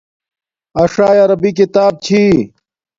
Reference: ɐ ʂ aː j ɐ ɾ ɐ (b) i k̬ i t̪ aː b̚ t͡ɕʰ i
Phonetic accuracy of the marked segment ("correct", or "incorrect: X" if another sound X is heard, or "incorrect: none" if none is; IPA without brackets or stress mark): correct